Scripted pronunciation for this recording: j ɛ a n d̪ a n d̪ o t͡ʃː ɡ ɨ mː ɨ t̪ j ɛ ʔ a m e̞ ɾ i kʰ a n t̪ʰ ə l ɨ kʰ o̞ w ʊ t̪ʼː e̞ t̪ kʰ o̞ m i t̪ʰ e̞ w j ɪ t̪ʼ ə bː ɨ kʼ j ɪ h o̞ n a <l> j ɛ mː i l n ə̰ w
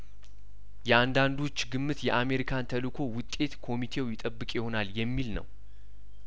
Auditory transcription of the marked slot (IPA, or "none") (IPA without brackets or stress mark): l